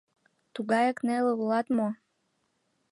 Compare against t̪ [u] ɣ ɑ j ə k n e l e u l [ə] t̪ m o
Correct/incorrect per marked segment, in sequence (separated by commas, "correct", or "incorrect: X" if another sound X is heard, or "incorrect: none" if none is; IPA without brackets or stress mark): correct, incorrect: ɑ